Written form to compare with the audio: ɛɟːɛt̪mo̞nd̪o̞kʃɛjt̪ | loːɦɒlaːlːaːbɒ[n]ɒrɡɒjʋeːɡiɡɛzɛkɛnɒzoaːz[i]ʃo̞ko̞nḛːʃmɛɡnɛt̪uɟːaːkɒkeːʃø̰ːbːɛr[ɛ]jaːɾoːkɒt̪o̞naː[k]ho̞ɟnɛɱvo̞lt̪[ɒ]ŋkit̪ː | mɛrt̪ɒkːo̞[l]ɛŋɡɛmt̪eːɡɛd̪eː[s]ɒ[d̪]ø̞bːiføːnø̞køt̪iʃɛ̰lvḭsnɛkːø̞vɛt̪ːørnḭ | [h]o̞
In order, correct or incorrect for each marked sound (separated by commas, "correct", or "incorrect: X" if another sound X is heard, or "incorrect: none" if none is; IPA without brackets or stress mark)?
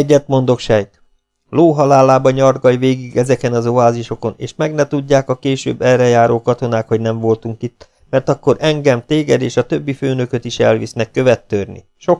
incorrect: ɲ, correct, correct, correct, incorrect: u, incorrect: ɾ, incorrect: ʃ, incorrect: t̪, incorrect: ʃ